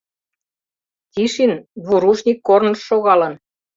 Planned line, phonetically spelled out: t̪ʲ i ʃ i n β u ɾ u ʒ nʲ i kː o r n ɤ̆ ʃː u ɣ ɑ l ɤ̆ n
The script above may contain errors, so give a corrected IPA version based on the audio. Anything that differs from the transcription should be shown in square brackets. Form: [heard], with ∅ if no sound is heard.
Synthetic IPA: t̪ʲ i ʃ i n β u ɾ u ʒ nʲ i kː o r n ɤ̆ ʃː [o] ɣ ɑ l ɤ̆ n